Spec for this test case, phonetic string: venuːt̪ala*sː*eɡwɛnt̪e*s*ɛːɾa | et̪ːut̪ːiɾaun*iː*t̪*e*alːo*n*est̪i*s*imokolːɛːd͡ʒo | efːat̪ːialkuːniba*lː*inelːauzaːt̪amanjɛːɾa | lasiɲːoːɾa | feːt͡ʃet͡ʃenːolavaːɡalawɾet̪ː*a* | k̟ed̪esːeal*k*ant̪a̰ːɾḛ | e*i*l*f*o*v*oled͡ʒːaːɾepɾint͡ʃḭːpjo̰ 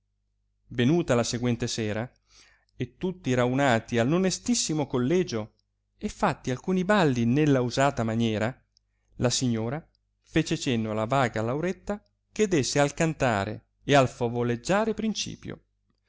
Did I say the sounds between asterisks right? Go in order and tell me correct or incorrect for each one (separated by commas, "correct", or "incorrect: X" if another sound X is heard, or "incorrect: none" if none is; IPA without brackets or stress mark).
incorrect: s, correct, incorrect: aː, incorrect: i, correct, incorrect: sː, correct, correct, correct, incorrect: a, correct, correct